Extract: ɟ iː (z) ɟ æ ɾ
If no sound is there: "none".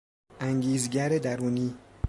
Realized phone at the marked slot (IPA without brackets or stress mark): z